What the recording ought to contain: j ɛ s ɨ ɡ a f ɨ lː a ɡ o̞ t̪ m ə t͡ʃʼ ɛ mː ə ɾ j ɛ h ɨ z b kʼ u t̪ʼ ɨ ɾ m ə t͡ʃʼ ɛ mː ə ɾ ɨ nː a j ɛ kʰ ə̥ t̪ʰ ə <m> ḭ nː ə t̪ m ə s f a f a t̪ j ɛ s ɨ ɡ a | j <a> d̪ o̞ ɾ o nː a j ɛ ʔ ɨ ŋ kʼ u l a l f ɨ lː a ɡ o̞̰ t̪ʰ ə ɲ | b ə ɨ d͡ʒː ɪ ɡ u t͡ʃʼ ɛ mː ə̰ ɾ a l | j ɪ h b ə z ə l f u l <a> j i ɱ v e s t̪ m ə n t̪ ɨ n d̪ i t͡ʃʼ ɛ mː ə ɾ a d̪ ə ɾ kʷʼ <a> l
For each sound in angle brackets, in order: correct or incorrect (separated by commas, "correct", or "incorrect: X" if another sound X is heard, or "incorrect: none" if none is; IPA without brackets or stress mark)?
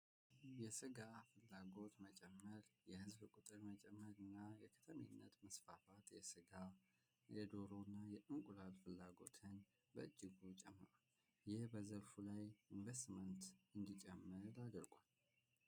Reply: correct, incorrect: ɛ, correct, correct